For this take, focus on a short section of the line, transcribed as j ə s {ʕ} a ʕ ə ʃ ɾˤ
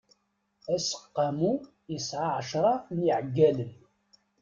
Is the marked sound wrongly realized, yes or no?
no